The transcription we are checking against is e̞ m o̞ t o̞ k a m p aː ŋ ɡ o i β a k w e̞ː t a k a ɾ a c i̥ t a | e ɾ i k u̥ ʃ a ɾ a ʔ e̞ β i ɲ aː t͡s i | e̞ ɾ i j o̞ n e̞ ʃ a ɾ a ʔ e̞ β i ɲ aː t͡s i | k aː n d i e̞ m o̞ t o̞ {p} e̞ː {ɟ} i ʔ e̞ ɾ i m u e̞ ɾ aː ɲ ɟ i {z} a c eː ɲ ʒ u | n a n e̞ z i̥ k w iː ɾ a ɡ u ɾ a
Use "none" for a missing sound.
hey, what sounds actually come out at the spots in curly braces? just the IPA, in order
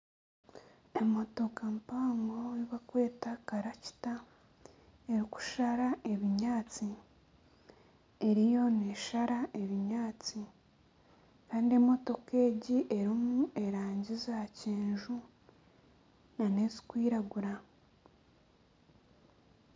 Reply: k, ɟ, z

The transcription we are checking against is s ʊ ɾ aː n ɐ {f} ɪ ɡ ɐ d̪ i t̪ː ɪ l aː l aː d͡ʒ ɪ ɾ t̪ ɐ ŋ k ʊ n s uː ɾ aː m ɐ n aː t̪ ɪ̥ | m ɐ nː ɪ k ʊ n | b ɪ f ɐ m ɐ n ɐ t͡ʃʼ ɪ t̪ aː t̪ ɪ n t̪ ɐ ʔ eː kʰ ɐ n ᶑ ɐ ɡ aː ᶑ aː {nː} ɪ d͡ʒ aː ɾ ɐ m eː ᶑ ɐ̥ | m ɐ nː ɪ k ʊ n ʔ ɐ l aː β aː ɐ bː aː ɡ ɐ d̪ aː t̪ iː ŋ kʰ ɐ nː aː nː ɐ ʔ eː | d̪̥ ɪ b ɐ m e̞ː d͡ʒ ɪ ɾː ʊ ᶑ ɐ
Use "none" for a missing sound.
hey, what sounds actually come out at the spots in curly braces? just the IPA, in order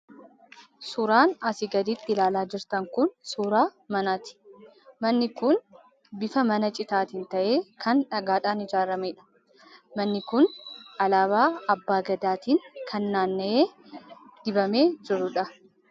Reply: s, n

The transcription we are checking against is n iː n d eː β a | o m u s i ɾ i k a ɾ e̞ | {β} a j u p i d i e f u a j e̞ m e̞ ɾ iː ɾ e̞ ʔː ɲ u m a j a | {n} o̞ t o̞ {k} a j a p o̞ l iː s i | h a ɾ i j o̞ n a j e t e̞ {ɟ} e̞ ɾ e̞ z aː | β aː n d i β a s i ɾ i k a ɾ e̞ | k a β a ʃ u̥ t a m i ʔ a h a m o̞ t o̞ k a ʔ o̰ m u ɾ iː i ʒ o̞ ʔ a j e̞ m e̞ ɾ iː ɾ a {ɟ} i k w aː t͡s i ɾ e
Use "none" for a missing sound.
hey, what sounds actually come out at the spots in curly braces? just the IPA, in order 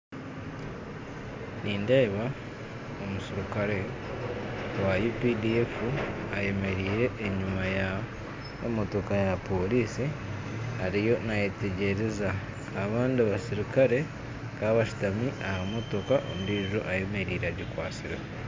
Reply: w, m, k, ɟ, ɟ

